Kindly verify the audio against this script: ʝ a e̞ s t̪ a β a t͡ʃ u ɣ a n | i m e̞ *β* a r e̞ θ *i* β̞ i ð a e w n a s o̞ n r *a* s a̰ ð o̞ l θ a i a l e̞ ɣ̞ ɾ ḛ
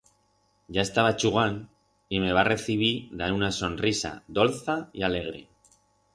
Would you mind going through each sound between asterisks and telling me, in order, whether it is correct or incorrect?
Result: correct, correct, incorrect: i

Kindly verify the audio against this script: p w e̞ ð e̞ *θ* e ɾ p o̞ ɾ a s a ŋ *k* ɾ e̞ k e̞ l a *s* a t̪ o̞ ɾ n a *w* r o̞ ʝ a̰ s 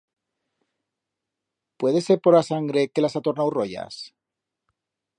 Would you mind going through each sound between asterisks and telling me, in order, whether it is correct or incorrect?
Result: incorrect: s, incorrect: ɡ, correct, correct

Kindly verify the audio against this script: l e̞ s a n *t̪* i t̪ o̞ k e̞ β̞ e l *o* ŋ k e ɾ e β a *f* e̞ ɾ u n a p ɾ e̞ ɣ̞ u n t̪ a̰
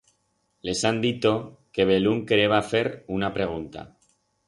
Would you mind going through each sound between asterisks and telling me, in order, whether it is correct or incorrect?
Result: incorrect: d̪, incorrect: u, correct

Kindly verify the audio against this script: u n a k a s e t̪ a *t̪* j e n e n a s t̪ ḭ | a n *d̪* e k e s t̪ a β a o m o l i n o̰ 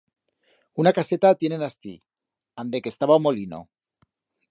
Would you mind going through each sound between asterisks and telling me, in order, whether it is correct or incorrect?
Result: correct, correct

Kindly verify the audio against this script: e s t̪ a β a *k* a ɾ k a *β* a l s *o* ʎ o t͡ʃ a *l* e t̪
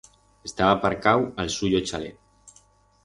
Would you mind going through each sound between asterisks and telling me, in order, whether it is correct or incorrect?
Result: incorrect: p, incorrect: w, incorrect: u, correct

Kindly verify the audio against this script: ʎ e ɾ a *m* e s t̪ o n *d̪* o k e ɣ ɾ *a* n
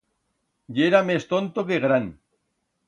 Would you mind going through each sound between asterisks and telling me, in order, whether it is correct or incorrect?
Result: correct, incorrect: t̪, correct

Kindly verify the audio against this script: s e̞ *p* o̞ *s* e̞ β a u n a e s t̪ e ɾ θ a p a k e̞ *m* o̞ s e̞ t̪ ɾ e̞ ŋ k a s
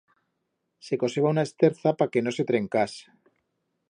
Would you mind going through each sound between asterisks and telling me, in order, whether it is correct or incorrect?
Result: incorrect: k, correct, incorrect: n

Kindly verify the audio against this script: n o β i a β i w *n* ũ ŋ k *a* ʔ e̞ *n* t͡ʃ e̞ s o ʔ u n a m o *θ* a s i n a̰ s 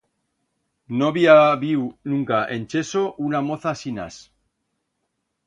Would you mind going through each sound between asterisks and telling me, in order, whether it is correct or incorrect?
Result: correct, correct, correct, correct

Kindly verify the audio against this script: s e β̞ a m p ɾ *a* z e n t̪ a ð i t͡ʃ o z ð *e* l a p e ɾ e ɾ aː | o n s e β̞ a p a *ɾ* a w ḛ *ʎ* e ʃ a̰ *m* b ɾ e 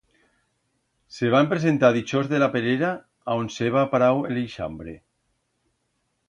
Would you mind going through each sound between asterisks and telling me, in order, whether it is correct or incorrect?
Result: incorrect: e, correct, correct, incorrect: l, correct

